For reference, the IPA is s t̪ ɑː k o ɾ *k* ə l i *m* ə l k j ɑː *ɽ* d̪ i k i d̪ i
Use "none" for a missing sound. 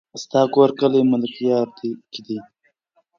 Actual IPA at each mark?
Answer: k, m, ɾ

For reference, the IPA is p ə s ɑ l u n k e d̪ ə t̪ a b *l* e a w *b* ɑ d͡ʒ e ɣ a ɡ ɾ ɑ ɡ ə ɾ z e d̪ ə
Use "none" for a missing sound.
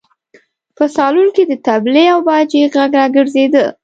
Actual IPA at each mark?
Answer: l, b

